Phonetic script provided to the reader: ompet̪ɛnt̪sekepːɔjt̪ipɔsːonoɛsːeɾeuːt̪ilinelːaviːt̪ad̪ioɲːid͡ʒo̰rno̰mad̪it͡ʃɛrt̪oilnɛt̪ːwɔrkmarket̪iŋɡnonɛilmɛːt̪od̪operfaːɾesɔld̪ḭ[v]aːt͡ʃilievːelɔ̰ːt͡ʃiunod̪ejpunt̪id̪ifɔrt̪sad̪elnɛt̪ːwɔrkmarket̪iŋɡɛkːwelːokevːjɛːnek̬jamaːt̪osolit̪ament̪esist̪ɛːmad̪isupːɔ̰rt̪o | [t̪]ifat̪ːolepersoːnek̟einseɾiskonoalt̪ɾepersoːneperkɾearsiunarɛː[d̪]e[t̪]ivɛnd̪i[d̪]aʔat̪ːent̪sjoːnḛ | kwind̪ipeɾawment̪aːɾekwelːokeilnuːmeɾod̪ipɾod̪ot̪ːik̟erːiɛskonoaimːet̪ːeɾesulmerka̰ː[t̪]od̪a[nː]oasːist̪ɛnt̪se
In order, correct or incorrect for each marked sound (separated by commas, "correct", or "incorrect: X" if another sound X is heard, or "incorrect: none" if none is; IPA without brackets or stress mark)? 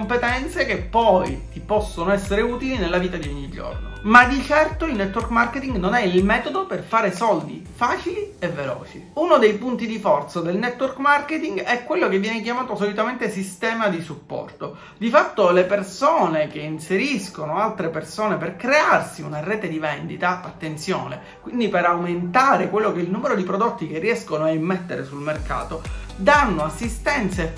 incorrect: f, incorrect: d̪, incorrect: t̪, incorrect: d̪, incorrect: t̪, correct, correct